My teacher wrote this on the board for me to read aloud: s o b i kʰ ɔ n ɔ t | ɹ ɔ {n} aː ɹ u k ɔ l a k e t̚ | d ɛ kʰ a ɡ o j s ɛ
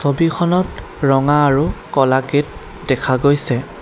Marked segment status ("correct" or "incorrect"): incorrect